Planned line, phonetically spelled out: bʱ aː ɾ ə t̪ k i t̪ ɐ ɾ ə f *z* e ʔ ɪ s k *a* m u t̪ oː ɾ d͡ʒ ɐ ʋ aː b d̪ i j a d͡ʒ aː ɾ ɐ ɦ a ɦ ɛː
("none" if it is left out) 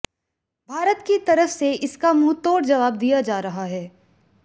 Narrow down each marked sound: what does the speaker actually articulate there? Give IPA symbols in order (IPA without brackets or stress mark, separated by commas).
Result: s, a